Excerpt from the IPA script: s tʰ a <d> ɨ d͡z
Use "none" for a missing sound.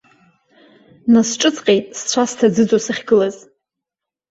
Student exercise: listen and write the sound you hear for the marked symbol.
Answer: d͡z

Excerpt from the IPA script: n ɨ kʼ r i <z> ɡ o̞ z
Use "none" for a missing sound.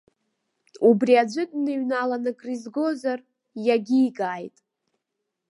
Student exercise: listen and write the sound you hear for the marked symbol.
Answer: z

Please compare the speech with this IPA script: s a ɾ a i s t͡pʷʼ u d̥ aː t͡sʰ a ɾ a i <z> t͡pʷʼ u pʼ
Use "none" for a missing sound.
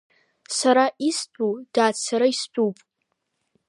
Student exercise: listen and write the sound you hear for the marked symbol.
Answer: s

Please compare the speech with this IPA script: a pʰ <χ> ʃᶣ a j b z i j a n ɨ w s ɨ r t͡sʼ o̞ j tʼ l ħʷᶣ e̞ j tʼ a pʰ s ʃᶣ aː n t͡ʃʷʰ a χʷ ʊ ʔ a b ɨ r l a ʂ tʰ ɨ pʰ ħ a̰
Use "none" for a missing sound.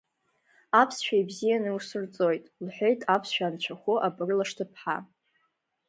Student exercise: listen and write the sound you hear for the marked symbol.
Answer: s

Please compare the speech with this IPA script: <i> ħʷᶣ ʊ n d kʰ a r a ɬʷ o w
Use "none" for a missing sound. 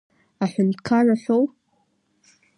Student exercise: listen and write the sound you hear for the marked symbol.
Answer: a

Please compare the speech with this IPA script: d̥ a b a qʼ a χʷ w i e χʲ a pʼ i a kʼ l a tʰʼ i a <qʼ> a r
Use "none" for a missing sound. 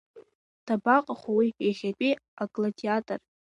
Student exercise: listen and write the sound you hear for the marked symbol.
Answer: tʼ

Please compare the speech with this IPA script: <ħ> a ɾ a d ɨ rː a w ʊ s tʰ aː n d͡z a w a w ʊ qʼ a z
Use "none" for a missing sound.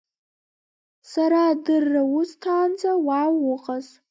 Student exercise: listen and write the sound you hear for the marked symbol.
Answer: s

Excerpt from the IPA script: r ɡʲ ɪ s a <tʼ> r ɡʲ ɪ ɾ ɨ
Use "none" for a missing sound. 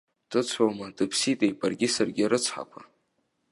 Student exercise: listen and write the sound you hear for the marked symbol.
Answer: none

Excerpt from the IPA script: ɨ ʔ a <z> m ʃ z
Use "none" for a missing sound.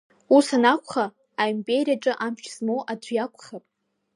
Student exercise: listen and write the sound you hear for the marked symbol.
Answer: none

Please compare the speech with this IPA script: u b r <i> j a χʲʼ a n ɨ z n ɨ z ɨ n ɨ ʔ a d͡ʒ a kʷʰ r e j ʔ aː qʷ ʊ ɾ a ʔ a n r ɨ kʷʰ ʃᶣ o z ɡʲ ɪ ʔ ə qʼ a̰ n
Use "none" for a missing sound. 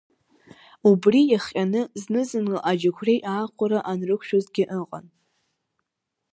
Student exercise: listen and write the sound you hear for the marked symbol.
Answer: i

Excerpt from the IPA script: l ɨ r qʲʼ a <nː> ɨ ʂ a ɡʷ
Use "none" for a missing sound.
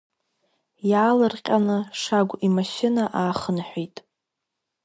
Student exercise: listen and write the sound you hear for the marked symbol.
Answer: n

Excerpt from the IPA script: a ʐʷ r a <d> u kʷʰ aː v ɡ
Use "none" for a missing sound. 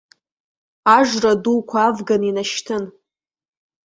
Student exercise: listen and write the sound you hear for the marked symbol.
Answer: d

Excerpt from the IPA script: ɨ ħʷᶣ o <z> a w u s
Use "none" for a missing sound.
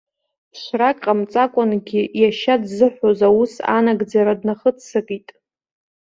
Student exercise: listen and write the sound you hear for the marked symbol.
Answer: z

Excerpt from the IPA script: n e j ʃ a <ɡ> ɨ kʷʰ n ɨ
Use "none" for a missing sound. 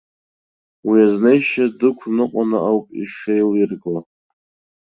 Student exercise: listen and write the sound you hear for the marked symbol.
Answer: d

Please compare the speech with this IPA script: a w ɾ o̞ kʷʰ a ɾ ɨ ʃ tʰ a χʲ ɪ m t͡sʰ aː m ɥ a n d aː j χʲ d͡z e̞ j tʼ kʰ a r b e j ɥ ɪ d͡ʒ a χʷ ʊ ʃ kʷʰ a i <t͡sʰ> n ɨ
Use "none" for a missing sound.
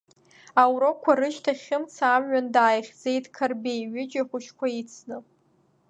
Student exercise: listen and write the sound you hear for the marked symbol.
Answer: t͡sʰ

